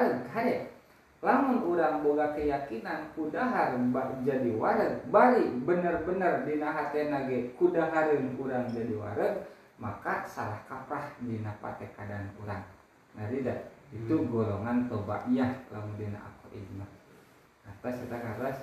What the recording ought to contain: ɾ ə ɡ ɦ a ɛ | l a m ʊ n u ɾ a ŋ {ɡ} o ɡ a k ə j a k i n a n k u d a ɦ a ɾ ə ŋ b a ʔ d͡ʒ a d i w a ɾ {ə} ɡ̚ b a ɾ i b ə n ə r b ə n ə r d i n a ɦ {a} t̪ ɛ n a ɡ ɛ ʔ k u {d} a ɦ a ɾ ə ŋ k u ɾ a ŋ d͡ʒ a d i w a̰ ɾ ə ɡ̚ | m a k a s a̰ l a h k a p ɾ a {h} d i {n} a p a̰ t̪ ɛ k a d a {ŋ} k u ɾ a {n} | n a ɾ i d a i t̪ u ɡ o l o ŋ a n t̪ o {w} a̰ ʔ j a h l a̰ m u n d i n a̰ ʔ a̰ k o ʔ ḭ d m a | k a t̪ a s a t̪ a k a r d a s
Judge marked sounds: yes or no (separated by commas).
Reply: no, yes, yes, yes, yes, yes, no, no, no